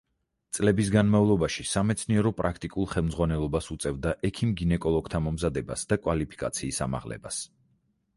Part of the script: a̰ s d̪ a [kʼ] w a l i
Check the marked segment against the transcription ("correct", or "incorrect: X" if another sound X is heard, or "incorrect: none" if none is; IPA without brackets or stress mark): correct